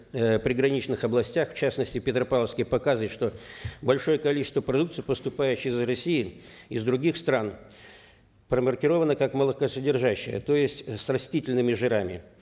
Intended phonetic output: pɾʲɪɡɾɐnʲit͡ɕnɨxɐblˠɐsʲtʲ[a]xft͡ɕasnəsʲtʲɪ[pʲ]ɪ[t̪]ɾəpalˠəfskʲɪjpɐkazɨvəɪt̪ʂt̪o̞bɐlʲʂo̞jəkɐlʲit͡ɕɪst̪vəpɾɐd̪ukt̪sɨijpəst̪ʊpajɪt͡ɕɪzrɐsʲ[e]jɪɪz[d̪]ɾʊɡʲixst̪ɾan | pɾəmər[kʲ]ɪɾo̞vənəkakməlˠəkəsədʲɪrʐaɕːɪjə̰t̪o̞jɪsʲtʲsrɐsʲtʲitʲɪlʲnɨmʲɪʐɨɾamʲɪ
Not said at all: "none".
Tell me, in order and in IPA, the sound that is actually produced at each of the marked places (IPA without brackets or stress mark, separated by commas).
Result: a, pʲ, t̪, i, d̪, kʲ